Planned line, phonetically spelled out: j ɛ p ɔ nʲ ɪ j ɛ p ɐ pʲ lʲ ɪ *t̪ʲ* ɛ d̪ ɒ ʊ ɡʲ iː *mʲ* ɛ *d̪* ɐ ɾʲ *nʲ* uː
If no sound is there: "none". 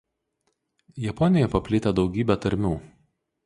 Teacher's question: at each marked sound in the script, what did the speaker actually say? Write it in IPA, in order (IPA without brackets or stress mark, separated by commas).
t̪ʲ, bʲ, t̪, mʲ